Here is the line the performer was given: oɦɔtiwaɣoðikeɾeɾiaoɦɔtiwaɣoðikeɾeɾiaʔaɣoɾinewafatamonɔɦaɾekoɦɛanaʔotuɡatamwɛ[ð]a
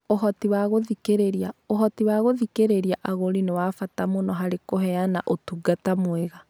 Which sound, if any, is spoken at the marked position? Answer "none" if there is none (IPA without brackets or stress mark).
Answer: ɣ